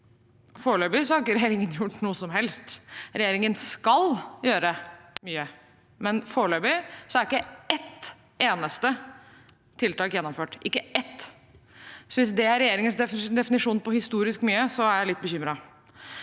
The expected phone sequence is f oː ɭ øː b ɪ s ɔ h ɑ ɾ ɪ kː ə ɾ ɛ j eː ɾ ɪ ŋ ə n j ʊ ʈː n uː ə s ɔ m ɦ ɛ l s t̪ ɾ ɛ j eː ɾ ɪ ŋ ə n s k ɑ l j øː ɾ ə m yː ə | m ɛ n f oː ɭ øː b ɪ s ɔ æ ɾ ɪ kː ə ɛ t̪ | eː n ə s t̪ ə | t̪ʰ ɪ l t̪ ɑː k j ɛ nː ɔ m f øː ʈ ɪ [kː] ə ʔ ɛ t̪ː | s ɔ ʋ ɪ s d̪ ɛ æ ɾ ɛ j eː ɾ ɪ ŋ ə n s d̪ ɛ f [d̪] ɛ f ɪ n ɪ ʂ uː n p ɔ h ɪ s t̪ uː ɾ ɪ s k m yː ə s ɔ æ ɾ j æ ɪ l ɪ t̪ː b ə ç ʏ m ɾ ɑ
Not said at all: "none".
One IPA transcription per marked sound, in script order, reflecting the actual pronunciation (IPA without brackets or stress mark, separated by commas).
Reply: kː, d̪